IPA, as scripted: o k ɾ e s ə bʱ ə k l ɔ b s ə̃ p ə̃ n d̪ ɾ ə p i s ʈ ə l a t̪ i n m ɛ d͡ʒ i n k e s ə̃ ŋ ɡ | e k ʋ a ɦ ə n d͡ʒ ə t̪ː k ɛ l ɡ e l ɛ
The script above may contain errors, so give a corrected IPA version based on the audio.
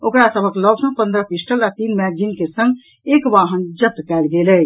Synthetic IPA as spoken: o k ɾ a s ə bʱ ə k l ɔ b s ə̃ p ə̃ n d̪ ɾ ə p i s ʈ ə l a t̪ i n m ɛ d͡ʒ i n k e s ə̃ ŋ ɡ | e k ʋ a ɦ ə n d͡ʒ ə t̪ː k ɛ l ɡ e l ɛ